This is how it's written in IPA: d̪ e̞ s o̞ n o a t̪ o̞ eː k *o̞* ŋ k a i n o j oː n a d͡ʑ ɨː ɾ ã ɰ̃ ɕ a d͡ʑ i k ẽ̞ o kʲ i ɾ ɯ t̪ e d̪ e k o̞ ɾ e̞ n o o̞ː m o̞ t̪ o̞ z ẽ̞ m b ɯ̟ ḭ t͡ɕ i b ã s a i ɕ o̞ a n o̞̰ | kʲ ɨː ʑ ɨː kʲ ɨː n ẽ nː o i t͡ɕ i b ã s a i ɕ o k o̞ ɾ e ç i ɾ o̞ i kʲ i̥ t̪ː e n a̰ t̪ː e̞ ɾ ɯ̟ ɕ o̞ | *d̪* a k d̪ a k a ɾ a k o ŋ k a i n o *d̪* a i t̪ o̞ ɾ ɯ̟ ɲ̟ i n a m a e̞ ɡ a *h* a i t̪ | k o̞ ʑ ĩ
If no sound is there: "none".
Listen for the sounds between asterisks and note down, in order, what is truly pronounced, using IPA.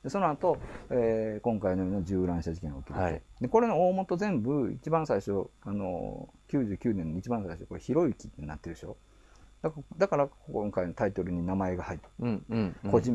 õ̞, d̪, t̪, h

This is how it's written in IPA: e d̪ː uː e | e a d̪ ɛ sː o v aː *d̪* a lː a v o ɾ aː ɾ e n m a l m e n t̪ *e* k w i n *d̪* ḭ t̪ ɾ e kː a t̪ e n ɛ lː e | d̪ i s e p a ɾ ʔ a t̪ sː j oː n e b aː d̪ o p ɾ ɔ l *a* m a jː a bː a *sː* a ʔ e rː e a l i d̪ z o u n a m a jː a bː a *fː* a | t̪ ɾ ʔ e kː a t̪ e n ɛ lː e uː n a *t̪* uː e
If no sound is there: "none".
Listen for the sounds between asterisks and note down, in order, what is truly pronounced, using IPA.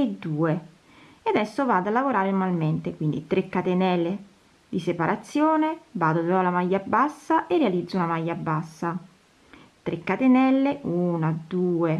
d̪, e, d̪, a, sː, sː, d̪

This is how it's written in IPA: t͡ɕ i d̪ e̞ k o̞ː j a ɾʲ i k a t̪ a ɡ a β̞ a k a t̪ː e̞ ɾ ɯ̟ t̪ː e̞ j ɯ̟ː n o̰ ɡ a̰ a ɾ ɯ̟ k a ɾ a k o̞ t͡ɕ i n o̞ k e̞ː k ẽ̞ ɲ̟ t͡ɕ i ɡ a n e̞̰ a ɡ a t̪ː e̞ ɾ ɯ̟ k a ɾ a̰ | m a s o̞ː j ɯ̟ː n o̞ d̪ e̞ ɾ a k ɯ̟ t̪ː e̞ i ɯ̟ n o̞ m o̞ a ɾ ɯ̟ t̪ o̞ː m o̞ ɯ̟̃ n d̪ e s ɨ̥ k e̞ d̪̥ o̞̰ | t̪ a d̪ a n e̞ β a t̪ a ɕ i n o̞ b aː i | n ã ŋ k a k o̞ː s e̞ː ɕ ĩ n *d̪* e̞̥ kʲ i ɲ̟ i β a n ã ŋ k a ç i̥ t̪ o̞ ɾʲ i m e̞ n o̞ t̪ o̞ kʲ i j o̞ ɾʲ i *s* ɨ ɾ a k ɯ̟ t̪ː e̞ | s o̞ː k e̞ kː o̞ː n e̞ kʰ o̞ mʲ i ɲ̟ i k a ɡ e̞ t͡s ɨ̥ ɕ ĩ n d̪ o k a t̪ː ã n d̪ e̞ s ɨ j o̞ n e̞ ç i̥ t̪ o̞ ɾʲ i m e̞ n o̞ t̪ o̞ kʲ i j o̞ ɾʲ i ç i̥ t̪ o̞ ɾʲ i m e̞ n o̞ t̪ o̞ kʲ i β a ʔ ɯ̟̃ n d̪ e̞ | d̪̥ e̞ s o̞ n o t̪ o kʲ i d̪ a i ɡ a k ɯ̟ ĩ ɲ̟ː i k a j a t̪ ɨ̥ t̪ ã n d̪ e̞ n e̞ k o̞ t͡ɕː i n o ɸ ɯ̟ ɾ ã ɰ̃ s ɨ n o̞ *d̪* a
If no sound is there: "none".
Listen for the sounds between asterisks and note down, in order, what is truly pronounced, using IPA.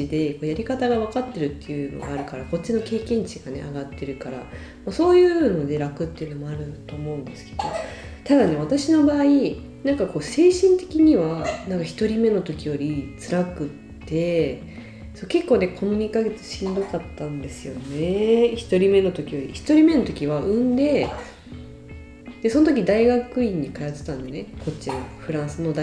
t̪, t͡s, d̪

